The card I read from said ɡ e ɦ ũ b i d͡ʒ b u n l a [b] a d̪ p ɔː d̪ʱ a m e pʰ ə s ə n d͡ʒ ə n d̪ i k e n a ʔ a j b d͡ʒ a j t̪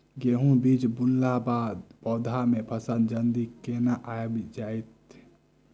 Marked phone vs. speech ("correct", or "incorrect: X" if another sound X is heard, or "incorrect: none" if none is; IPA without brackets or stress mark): correct